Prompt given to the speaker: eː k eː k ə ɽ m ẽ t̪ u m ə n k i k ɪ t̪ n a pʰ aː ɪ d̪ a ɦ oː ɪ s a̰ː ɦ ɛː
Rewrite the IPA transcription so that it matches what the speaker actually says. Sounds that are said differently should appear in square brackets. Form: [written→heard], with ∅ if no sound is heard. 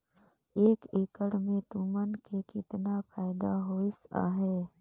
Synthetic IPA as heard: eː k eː k ə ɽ m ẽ t̪ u m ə n k [i→e] k ɪ t̪ n a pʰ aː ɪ d̪ a ɦ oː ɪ s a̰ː ɦ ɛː